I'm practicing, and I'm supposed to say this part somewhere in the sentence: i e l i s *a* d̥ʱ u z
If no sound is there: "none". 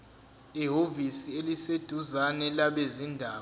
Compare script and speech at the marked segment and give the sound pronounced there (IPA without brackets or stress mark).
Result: e